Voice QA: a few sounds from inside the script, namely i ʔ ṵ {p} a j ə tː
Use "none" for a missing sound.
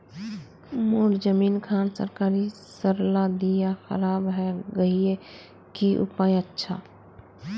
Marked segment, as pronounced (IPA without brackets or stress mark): p